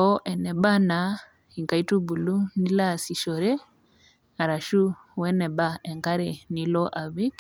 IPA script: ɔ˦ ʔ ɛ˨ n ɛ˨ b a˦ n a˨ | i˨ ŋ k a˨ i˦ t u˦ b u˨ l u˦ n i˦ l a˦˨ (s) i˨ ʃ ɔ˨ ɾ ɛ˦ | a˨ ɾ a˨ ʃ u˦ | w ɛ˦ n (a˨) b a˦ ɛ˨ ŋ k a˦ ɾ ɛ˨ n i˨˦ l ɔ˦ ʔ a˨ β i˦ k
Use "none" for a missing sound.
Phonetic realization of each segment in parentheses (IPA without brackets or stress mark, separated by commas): s, ɛ˨